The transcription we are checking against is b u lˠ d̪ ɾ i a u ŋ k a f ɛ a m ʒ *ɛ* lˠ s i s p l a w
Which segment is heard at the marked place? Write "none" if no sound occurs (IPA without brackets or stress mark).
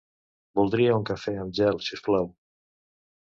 ɛ